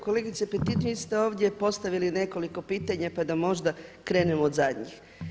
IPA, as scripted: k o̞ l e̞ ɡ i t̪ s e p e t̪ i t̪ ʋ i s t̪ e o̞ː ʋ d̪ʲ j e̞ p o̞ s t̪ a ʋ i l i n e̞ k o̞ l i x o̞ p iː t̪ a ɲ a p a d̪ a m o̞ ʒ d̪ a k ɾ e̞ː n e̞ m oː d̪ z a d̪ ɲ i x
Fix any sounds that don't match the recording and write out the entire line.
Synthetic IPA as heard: k o̞ l e̞ ɡ i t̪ s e p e t̪ i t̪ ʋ i s t̪ e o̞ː ʋ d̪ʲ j e̞ p o̞ s t̪ a ʋ i l i n e̞ k o̞ l i k o̞ p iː t̪ a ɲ a p a d̪ a m o̞ ʒ d̪ a k ɾ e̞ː n e̞ m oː d̪ z a d̪ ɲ i x